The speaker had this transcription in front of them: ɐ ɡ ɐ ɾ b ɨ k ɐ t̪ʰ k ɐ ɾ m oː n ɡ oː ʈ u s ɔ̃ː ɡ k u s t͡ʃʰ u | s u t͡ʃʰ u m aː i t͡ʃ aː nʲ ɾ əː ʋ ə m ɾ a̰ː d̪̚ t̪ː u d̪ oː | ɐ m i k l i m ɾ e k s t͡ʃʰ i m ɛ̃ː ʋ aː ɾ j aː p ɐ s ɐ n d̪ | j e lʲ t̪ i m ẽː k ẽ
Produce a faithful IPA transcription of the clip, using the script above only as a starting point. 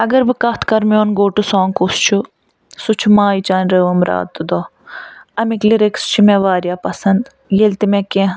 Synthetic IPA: ɐ ɡ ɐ ɾ b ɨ k ɐ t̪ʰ k ɐ ɾ m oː n ɡ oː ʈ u s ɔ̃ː ŋ k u s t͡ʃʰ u | s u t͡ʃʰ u m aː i t͡ʃ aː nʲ ɾ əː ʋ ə m ɾ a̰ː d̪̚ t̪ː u d̪ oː | ɐ m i k l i ɾ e k s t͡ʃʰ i m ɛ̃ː ʋ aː ɾ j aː p ɐ s ɐ n d̪ | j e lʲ t̪ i m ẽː k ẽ